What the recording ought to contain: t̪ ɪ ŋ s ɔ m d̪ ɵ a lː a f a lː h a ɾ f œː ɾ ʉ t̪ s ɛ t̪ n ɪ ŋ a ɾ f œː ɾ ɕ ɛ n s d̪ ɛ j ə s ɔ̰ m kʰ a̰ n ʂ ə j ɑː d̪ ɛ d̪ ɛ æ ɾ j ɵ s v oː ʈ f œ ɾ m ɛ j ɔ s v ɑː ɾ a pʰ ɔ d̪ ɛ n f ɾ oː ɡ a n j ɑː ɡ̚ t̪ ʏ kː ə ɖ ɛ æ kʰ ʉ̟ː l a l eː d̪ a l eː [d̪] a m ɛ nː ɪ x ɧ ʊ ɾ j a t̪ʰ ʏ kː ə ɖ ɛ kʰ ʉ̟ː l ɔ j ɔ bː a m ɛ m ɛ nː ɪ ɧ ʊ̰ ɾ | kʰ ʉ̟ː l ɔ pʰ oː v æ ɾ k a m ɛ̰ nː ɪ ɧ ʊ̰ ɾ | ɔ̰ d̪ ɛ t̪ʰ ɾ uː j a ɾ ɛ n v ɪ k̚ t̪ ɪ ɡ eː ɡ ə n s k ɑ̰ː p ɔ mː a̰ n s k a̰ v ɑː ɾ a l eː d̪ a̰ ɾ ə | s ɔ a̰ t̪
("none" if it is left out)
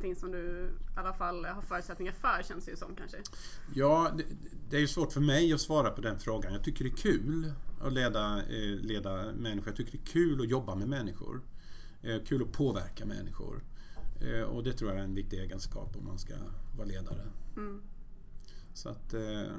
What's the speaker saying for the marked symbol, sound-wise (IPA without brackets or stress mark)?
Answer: d̪